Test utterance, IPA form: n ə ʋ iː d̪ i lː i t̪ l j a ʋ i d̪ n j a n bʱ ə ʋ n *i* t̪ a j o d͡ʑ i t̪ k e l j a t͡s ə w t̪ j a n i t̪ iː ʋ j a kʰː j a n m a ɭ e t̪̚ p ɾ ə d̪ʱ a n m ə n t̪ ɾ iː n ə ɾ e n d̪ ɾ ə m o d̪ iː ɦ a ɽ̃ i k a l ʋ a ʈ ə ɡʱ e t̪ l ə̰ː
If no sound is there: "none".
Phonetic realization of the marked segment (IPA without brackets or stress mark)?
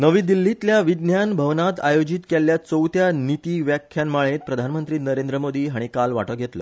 a